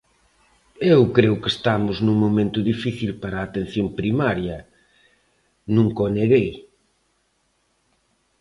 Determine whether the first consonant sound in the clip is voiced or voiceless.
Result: voiced